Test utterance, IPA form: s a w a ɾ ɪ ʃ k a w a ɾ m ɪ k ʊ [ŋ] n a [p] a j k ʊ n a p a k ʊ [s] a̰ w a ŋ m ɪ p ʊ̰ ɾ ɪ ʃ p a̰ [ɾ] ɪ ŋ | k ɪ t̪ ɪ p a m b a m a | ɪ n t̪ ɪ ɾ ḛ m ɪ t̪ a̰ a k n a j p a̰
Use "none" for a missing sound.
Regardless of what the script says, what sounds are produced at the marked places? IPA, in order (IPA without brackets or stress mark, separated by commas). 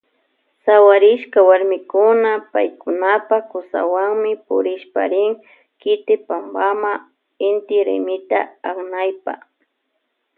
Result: none, p, s, ɾ